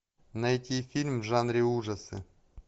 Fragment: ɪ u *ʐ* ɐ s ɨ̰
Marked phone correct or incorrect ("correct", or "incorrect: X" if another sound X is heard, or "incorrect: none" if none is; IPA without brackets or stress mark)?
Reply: correct